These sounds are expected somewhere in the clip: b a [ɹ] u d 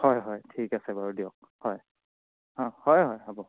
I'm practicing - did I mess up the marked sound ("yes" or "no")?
no